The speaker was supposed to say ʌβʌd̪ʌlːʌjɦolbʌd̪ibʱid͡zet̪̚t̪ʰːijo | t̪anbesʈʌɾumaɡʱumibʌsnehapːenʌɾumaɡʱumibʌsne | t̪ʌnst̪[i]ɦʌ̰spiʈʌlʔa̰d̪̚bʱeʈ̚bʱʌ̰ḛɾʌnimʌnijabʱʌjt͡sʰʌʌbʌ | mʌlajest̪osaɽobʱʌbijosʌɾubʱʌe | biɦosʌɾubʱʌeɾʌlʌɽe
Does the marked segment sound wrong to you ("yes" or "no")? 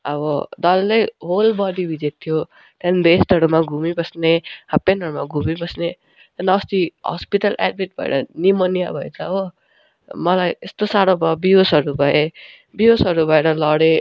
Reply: no